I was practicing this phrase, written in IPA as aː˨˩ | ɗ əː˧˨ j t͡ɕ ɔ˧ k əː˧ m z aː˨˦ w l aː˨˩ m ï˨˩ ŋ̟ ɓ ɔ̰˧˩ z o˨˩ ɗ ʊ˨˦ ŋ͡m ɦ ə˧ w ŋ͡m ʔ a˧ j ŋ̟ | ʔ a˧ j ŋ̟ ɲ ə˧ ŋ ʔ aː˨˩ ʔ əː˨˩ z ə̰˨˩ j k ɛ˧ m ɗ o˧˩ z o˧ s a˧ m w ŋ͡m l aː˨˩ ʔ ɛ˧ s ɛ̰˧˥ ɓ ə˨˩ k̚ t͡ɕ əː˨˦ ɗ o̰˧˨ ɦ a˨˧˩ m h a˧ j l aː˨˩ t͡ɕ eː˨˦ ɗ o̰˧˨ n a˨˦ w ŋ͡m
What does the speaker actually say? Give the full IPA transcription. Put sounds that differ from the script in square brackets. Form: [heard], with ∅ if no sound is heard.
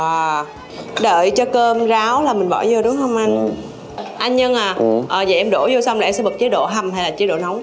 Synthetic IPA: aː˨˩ | ɗ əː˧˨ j t͡ɕ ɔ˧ k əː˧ m z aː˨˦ w l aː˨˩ m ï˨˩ ŋ̟ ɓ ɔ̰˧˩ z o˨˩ ɗ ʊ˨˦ ŋ͡m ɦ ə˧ w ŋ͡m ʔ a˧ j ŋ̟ | ʔ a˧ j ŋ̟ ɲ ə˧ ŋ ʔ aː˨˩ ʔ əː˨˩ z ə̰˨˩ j [ʔ] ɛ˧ m ɗ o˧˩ z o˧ s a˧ [∅] w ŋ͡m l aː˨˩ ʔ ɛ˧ s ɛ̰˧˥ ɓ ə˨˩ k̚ t͡ɕ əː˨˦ ɗ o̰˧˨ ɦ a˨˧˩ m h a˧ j l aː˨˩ t͡ɕ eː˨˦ ɗ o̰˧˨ n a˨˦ w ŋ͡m